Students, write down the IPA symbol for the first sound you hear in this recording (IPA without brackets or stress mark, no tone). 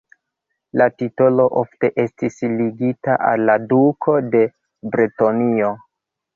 l